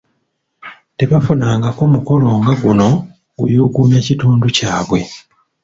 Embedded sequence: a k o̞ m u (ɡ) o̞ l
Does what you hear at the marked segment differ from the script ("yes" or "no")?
yes